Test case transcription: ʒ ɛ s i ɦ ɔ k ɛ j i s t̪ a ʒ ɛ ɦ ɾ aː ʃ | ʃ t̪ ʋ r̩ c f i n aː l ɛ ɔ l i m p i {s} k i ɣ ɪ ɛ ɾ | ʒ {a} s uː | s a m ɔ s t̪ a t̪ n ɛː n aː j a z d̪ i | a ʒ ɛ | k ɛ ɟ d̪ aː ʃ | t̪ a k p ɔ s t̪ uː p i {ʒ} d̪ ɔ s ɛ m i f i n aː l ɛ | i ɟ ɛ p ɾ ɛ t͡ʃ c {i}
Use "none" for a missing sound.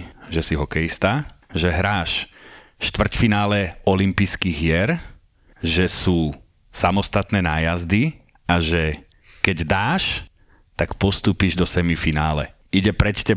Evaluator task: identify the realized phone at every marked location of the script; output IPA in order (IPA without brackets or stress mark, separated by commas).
s, ɛ, ʒ, ɛ